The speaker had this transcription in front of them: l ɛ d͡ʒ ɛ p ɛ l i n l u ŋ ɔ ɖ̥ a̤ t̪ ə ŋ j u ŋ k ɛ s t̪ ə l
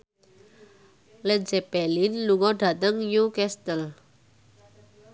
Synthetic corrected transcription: l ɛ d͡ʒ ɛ p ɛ l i n l u ŋ ɔ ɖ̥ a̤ t̪ ə ŋ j u k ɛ s t̪ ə l